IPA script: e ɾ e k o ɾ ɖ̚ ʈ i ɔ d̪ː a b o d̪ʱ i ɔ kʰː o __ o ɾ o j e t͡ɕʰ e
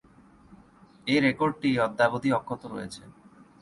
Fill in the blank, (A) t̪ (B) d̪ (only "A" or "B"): A